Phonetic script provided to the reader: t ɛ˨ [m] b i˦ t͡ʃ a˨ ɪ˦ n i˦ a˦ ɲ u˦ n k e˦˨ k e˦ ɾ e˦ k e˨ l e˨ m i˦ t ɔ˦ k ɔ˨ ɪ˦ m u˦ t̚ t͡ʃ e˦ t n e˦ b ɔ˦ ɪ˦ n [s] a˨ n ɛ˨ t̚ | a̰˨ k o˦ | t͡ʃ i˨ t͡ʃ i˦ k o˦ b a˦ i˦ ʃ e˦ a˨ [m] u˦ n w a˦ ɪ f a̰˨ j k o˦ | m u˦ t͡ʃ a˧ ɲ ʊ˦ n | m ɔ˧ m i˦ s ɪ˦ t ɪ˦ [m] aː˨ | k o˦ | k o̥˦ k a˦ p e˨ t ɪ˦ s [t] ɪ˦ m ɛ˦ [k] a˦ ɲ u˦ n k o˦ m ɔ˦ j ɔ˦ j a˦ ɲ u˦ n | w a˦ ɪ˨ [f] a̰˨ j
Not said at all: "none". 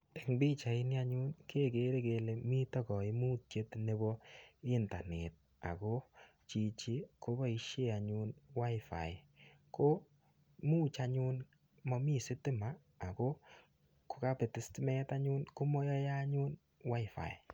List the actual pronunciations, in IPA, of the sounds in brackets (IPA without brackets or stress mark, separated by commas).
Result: ŋ, t, ɲ, m, t, t, f